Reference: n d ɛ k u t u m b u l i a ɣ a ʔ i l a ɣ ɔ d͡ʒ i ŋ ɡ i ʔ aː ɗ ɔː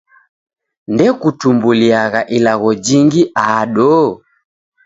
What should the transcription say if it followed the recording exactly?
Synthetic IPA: n d ɛ k u t u m b u l i a ɣ a ʔ i l a ɣ ɔ d͡ʒ i ŋ ɡ i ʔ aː ɗ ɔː